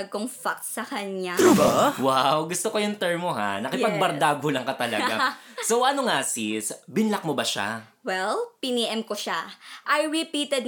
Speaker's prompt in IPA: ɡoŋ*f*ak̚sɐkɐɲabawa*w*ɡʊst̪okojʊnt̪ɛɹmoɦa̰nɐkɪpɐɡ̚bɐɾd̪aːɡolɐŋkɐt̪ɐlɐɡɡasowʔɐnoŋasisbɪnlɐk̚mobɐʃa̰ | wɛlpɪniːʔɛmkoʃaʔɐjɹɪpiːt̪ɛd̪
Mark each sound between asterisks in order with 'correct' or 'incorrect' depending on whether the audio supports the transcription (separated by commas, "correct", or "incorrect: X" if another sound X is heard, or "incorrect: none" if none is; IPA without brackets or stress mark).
correct, correct